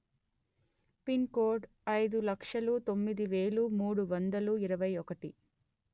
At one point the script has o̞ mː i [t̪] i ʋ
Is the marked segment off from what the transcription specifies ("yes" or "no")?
yes